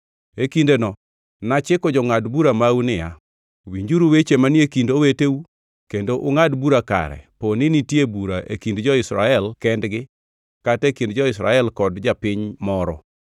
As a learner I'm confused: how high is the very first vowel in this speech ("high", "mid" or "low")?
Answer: mid